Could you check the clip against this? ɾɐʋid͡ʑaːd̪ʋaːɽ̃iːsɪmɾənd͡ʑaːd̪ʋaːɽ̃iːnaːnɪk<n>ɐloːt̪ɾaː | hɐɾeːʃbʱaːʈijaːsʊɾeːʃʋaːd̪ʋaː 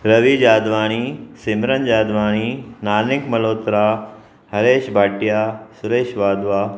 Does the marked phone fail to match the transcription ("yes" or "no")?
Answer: yes